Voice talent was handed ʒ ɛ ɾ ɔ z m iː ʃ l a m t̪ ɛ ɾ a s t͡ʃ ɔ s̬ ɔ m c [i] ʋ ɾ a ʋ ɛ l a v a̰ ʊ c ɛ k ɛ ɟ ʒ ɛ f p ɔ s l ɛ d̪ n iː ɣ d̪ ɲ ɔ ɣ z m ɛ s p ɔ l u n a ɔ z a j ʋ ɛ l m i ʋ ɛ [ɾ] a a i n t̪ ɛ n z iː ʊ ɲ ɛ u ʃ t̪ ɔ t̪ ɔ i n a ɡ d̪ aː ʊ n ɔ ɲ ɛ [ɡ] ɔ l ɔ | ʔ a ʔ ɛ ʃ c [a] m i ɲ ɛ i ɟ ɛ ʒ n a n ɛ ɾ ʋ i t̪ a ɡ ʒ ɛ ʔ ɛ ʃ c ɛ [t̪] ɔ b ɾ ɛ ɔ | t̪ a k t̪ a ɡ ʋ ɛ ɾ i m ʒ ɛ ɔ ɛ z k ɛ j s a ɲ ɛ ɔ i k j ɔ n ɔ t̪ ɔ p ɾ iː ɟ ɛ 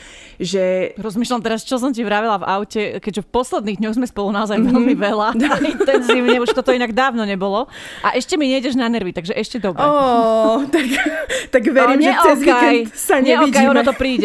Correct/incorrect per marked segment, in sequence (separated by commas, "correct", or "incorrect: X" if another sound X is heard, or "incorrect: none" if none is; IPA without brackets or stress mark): correct, incorrect: l, incorrect: b, incorrect: ɛ, incorrect: d̪